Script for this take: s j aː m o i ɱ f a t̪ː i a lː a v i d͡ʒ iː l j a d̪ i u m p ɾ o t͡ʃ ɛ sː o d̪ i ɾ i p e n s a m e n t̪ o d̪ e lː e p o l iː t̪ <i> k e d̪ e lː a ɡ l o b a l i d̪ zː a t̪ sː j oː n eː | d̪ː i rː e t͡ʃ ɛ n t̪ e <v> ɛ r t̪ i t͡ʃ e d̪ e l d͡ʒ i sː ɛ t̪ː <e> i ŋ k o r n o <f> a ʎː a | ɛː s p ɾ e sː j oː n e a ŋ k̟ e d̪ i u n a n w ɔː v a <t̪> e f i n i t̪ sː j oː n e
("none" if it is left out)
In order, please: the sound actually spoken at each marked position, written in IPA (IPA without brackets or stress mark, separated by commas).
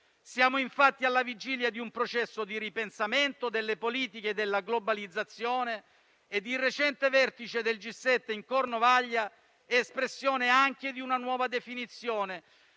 i, v, e, v, d̪